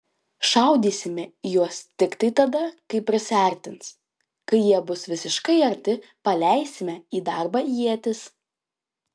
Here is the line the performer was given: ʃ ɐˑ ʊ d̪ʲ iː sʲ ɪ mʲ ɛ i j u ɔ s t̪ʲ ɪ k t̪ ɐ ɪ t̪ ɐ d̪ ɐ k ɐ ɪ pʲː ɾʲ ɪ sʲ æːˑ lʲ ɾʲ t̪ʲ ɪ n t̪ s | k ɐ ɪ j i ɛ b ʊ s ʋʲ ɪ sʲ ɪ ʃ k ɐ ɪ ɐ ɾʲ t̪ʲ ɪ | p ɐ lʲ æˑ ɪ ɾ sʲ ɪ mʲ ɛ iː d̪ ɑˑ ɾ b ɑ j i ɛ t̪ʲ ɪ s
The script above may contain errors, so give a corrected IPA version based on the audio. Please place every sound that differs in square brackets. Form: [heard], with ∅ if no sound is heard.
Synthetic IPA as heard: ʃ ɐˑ ʊ d̪ʲ iː sʲ ɪ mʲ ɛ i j u ɔ s t̪ʲ ɪ k t̪ ɐ ɪ t̪ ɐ d̪ ɐ k ɐ ɪ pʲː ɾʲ ɪ sʲ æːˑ [∅] ɾʲ t̪ʲ ɪ n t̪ s | k ɐ ɪ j i ɛ b ʊ s ʋʲ ɪ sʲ ɪ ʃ k ɐ ɪ ɐ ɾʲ t̪ʲ ɪ | p ɐ lʲ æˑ ɪ [∅] sʲ ɪ mʲ ɛ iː d̪ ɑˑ ɾ b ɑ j i ɛ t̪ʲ ɪ s